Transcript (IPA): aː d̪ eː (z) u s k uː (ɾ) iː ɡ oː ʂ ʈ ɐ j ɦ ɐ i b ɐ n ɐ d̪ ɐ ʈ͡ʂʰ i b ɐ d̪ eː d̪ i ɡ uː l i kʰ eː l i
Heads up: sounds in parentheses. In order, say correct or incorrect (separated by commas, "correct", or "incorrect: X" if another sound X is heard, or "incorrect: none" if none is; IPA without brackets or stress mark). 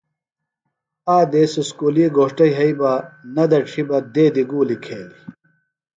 incorrect: s, incorrect: l